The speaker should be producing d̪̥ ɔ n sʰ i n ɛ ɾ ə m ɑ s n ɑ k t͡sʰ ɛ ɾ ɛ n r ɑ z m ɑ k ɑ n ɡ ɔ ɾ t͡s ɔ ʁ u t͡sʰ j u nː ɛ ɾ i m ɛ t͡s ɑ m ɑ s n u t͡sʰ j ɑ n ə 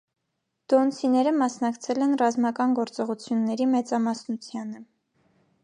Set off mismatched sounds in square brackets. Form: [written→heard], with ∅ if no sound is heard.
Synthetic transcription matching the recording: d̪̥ ɔ n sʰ i n ɛ ɾ ə m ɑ s n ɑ k t͡sʰ ɛ [ɾ→l] ɛ n r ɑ z m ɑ k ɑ n ɡ ɔ ɾ t͡s ɔ ʁ u t͡sʰ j u nː ɛ ɾ i m ɛ t͡s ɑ m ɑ s n u t͡sʰ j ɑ n ə